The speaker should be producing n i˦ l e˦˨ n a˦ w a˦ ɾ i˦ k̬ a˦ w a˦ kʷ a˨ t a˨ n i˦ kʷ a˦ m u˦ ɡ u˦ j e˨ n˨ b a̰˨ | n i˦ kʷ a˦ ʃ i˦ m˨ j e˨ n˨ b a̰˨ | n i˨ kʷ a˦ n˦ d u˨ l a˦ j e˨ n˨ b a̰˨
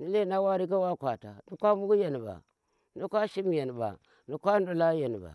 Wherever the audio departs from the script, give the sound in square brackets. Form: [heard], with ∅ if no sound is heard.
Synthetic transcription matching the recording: n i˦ l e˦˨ n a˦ w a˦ ɾ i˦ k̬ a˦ w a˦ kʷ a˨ t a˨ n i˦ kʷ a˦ m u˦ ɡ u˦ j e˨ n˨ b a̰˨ | n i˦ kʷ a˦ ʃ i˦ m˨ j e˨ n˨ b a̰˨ | n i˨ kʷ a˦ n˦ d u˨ l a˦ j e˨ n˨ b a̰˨